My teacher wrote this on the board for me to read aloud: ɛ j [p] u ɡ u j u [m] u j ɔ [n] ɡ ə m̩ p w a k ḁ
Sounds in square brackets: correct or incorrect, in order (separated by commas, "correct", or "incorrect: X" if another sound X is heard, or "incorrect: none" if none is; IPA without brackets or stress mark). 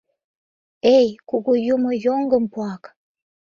incorrect: k, correct, incorrect: ŋ